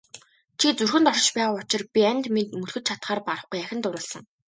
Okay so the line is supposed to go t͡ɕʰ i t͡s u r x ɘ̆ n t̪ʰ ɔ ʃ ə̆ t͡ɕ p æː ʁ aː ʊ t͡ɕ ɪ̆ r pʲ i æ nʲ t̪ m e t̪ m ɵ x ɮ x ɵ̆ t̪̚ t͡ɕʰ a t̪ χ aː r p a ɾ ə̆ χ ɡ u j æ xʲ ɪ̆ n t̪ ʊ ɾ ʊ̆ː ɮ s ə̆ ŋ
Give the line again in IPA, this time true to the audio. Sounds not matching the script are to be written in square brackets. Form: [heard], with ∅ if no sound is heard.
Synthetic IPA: t͡ɕʰ i t͡s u r x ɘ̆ n [t̪] ɔ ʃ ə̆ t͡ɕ p æː ʁ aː ʊ t͡ɕ ɪ̆ r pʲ i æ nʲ t̪ m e t̪ m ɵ [∅] ɮ x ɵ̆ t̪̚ t͡ɕʰ a t̪ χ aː r p a ɾ ə̆ χ ɡ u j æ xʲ ɪ̆ n t̪ ʊ ɾ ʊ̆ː ɮ s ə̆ ŋ